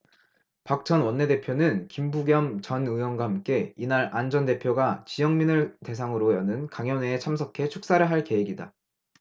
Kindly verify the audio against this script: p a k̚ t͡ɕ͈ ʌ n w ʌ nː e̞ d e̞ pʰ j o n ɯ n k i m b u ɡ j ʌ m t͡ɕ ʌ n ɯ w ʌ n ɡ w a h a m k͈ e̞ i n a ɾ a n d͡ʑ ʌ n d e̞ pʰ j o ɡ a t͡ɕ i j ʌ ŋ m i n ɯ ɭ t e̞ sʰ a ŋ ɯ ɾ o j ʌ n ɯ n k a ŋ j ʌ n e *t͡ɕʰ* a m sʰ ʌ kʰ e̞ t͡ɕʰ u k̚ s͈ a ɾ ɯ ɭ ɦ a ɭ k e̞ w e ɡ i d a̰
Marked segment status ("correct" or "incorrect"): correct